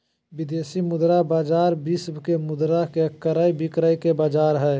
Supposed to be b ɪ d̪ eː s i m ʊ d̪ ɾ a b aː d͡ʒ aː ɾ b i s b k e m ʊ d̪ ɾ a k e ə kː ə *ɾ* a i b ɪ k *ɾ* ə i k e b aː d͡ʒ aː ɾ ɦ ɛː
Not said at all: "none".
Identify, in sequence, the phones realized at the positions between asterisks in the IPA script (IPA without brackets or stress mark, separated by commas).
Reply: ɾ, ɾ